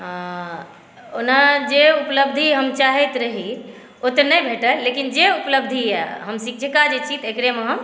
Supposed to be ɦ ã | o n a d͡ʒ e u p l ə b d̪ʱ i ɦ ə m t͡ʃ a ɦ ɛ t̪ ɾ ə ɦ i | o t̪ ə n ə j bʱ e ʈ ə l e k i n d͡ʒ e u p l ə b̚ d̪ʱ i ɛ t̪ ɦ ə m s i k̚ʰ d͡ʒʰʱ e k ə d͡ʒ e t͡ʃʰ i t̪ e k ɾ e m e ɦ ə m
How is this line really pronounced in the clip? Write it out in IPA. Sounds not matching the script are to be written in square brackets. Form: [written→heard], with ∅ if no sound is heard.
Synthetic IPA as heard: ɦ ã | o n a d͡ʒ e u p l ə b d̪ʱ i ɦ ə m t͡ʃ a ɦ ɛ t̪ ɾ ə ɦ i | o t̪ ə n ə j bʱ e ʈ ə l e k i n d͡ʒ e u p l ə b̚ d̪ʱ i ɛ [t̪→∅] ɦ ə m s i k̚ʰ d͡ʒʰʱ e k [ə→a] d͡ʒ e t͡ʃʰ i t̪ e k ɾ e m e ɦ ə m

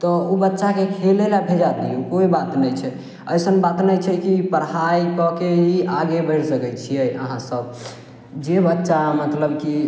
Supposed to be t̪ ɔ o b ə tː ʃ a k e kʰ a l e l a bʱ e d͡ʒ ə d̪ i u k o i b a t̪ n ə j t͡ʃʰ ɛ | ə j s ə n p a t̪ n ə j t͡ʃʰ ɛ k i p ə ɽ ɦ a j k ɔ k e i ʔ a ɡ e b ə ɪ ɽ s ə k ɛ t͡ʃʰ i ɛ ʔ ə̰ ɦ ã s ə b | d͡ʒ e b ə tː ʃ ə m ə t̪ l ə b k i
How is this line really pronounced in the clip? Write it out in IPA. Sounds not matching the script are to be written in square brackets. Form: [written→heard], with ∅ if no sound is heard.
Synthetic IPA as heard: t̪ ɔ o b ə tː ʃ a k e kʰ [a→e] l e l a bʱ e d͡ʒ [ə→a] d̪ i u k o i b a t̪ n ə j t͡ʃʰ ɛ | ə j s ə n [p→b] a t̪ n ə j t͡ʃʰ ɛ k i p ə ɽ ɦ a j k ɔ k e i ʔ a ɡ e b ə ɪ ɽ s ə k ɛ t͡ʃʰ i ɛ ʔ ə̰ ɦ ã s ə b | d͡ʒ e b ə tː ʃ [ə→a] m ə t̪ l ə b k i

